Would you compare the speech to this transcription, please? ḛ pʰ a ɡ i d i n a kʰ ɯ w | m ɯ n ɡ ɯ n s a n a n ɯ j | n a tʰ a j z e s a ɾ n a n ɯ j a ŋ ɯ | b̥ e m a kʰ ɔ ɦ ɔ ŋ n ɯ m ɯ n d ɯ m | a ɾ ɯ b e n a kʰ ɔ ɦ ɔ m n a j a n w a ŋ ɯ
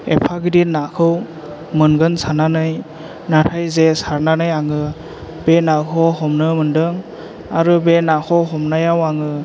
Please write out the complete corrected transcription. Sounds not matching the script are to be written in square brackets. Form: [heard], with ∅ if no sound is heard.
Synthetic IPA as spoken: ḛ pʰ a ɡ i d i n a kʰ ɯ w | m ɯ n ɡ ɯ n s a n a n ɯ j | n a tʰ a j z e s a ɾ n a n ɯ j a ŋ ɯ | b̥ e [n] a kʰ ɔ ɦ ɔ [m] n ɯ m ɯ n d ɯ [ŋ] | a ɾ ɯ b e n a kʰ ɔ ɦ ɔ m n a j a [∅] w a ŋ ɯ